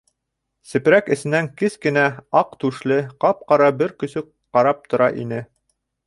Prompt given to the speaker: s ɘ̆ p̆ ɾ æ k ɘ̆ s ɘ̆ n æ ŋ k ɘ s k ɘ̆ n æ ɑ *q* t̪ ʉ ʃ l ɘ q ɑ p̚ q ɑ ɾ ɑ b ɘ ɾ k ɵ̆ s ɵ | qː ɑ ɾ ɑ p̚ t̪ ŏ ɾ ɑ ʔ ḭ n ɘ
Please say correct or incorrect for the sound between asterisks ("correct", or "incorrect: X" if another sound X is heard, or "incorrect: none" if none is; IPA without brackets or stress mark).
correct